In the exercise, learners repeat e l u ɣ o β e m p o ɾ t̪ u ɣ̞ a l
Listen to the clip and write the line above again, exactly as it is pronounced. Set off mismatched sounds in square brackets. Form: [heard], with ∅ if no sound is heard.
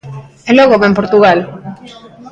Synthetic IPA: e l [o] ɣ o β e m p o ɾ t̪ u ɣ̞ a l